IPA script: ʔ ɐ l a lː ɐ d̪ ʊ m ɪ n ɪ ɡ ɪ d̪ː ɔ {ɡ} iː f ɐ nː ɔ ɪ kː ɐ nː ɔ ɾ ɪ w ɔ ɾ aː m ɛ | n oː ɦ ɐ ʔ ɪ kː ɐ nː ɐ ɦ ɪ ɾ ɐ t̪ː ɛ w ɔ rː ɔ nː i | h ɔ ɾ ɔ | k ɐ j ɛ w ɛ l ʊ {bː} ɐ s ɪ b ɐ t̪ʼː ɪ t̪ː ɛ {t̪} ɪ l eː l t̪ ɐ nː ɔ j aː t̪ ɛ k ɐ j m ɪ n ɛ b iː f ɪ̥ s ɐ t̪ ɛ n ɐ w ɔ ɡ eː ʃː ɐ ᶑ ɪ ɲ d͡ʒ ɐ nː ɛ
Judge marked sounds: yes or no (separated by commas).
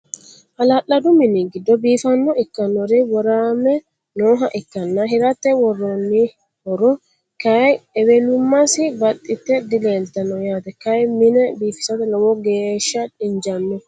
no, no, no